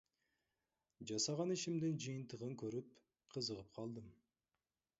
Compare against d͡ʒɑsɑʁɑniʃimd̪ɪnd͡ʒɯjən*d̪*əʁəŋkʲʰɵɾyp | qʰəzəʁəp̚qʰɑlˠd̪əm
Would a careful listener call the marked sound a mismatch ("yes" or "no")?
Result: yes